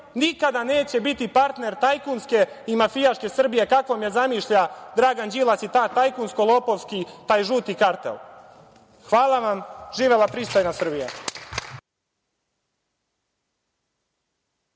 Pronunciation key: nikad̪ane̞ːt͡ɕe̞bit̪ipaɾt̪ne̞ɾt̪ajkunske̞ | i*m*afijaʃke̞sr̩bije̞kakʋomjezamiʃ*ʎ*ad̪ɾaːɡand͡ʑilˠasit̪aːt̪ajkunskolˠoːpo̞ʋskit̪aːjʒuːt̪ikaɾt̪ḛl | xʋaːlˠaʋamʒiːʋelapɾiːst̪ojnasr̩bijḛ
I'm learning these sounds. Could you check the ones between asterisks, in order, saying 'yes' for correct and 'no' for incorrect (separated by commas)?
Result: yes, yes